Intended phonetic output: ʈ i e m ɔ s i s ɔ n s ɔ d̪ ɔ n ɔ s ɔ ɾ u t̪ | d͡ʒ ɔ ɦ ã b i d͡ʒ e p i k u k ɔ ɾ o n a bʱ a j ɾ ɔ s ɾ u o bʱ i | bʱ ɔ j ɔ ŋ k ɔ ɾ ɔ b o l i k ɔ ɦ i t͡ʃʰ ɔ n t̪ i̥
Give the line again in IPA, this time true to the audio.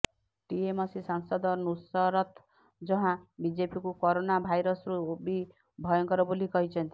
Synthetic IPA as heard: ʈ i e m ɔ s i s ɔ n s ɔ d̪ ɔ n u s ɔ ɾ ɔ t̪ | d͡ʒ ɔ ɦ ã b i d͡ʒ e p i k u k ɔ ɾ o n a bʱ a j ɾ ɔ s ɾ u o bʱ i | bʱ ɔ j ɔ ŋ k ɔ ɾ ɔ b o l i k ɔ ɦ i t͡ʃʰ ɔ n t̪ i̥